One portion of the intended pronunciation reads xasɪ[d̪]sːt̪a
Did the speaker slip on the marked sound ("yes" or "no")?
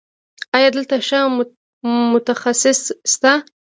yes